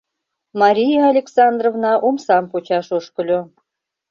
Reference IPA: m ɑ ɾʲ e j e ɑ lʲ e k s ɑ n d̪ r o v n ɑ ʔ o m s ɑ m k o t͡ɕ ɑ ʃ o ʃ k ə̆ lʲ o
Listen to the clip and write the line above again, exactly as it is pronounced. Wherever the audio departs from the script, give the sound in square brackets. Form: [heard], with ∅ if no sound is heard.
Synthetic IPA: m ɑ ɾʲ [i] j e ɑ lʲ e k s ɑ n d̪ r o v n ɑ ʔ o m s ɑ m [p] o t͡ɕ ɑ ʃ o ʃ k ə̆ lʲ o